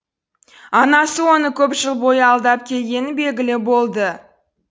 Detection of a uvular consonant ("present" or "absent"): absent